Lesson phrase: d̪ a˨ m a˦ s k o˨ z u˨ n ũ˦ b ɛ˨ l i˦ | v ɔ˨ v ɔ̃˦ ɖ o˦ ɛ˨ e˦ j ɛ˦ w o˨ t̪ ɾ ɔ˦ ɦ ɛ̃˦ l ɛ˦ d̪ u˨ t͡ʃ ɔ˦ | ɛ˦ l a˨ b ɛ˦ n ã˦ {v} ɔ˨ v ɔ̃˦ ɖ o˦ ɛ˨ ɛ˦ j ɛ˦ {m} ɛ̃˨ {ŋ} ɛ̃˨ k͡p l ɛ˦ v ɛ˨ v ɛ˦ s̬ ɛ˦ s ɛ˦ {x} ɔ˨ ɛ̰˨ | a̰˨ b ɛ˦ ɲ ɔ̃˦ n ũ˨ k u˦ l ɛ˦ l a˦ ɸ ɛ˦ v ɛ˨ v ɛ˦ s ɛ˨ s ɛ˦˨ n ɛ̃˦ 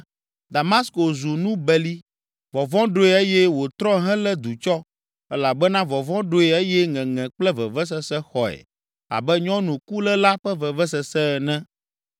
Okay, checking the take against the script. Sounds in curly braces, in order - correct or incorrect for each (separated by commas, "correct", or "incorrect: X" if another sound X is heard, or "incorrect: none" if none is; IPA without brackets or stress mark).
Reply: correct, incorrect: ŋ, correct, correct